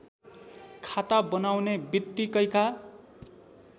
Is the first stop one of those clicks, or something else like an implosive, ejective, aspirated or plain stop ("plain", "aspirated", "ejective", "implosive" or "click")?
aspirated